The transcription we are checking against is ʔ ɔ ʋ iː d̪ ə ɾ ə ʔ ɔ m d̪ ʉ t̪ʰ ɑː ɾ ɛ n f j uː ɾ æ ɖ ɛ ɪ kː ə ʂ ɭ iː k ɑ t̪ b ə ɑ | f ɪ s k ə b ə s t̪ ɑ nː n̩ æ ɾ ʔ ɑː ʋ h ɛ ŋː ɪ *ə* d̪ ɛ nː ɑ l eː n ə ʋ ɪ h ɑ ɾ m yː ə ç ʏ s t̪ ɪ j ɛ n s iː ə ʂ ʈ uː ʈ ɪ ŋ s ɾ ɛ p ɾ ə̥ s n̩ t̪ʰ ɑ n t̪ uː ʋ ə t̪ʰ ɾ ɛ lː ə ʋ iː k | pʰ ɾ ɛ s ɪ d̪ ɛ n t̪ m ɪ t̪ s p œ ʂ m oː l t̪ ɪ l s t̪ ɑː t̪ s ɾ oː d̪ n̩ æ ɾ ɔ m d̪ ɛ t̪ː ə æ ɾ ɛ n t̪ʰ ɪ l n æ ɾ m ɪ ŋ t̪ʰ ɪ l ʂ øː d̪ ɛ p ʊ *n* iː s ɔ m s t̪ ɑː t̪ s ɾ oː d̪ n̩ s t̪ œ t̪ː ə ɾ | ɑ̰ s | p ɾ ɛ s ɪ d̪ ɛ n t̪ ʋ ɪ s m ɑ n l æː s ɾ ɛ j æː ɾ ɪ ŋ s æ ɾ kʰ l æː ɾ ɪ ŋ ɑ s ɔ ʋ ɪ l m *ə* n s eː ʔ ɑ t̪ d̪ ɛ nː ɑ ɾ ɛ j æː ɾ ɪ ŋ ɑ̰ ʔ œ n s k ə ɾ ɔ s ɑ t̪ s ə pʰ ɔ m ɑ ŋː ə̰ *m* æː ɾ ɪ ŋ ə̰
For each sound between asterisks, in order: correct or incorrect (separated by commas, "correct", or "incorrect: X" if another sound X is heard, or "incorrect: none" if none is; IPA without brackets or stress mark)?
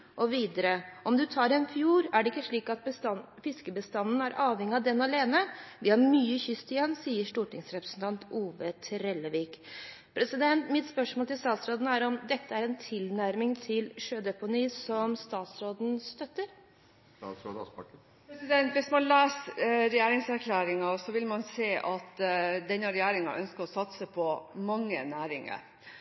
incorrect: ɑ, correct, incorrect: ɑ, incorrect: n